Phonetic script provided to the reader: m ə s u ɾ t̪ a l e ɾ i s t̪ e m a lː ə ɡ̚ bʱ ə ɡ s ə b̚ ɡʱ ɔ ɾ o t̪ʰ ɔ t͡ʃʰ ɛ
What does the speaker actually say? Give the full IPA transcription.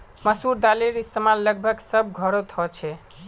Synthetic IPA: m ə s u ɾ d̪ a l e ɾ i s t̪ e m a lː ə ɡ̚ bʱ ə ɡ s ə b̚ ɡʱ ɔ ɾ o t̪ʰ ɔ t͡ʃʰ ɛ